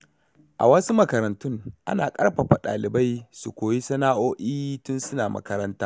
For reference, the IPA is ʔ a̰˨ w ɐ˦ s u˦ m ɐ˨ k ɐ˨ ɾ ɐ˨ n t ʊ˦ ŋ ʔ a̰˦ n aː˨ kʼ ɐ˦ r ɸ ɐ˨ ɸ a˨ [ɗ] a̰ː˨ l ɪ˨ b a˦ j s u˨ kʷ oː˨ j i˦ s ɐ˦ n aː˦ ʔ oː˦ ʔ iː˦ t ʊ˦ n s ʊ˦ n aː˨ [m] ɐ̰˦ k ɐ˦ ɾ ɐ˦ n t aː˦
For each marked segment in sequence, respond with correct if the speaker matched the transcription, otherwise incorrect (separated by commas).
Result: correct, correct